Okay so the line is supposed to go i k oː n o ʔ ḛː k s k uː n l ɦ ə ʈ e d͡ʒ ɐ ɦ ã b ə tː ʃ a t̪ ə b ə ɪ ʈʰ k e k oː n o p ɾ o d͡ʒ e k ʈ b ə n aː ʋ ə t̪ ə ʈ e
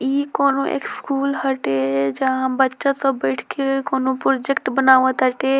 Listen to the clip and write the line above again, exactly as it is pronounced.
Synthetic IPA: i k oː n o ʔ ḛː k s k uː l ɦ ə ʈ e d͡ʒ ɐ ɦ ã b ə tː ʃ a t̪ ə b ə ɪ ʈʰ k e k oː n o p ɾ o d͡ʒ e k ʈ b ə n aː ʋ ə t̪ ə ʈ e